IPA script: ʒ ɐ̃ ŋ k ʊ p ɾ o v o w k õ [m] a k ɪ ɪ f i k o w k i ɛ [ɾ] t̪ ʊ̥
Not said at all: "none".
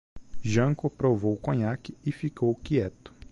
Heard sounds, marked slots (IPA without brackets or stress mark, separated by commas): ɲ, none